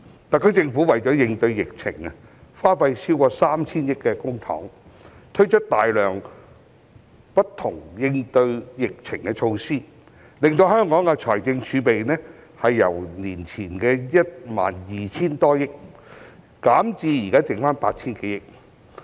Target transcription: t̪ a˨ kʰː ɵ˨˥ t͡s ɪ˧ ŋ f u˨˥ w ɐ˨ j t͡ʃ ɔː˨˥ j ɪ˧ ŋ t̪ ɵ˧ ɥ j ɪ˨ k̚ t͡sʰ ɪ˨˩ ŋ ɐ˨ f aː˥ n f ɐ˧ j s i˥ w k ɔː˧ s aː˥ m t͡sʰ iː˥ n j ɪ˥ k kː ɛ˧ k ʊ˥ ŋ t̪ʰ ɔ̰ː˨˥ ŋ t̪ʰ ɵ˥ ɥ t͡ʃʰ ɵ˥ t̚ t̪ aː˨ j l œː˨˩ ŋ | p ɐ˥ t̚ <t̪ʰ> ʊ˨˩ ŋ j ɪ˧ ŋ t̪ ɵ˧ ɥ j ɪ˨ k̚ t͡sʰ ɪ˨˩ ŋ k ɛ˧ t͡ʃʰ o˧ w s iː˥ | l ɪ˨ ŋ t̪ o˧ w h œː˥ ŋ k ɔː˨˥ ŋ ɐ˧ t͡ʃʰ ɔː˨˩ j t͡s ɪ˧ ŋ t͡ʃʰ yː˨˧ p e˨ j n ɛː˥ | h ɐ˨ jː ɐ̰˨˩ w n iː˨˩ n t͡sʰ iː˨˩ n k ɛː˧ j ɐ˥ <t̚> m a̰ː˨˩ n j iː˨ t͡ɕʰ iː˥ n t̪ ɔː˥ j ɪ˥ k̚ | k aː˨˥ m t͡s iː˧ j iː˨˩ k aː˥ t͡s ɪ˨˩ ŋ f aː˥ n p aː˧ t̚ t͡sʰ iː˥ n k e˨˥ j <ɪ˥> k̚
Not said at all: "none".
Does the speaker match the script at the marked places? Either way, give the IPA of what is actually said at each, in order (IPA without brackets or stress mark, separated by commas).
t̪ʰ, t̚, ɪ˥